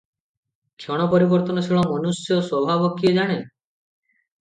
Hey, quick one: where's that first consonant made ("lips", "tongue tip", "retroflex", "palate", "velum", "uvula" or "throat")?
velum